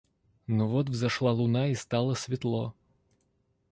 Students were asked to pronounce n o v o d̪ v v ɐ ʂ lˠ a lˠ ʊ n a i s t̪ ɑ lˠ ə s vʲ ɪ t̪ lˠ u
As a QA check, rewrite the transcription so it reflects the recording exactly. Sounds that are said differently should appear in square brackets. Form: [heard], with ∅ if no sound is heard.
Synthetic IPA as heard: n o v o [t̪] v [z] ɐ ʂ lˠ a lˠ ʊ n a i s t̪ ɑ lˠ ə s vʲ ɪ t̪ lˠ [o]